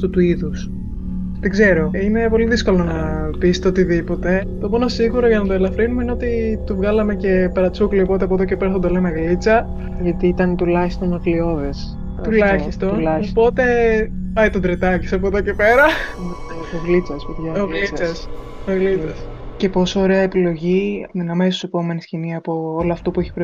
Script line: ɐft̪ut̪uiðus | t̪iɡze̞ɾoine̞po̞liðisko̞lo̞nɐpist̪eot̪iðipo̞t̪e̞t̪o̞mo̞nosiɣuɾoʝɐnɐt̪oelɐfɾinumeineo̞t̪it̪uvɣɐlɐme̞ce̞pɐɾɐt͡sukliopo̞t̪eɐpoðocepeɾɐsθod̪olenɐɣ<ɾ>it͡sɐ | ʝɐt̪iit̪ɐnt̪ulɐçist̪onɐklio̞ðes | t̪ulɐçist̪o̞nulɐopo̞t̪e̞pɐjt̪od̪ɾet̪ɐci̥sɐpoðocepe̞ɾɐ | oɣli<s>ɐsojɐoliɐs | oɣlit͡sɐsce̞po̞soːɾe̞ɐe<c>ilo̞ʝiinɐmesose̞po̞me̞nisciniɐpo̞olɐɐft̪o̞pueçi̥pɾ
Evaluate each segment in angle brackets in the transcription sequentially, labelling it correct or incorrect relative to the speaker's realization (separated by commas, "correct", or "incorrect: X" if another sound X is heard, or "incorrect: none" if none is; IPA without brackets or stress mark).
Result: incorrect: l, incorrect: t͡s, incorrect: p